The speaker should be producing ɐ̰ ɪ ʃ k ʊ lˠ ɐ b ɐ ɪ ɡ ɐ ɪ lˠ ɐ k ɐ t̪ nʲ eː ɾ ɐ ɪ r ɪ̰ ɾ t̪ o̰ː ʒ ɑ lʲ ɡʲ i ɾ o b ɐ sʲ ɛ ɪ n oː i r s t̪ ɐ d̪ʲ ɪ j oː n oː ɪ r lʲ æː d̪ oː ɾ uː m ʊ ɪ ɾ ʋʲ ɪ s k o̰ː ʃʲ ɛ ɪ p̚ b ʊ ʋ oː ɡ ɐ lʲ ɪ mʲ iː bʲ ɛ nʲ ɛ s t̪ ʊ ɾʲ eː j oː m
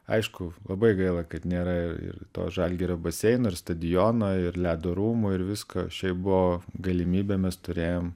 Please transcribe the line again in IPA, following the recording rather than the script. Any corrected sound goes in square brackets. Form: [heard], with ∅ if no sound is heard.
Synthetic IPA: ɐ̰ ɪ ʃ k ʊ lˠ ɐ b ɐ ɪ ɡ ɐ ɪ lˠ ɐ k ɐ t̪ nʲ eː ɾ ɐ ɪ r ɪ̰ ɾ t̪ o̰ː ʒ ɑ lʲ ɡʲ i ɾ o b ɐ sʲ ɛ ɪ n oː [ɪ] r s t̪ ɐ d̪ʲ ɪ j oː n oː ɪ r lʲ æː d̪ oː ɾ uː m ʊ ɪ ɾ ʋʲ ɪ s k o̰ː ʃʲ ɛ ɪ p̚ b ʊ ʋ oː ɡ ɐ lʲ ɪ mʲ iː bʲ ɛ [mʲ] ɛ s t̪ ʊ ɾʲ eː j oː m